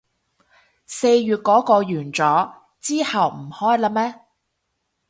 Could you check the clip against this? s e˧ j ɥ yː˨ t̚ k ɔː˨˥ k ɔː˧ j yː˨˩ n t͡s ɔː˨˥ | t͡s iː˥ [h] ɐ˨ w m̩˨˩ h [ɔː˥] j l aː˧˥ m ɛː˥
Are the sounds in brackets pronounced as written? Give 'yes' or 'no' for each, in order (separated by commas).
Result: yes, yes